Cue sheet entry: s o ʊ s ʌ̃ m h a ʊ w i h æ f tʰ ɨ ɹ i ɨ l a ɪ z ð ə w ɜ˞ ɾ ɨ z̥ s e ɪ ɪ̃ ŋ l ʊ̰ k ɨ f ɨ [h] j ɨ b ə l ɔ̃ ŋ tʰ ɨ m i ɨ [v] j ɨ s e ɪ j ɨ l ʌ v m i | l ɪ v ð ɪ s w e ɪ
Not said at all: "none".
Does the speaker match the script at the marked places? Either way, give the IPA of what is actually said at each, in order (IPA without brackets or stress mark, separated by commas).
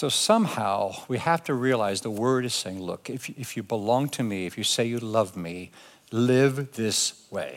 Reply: f, f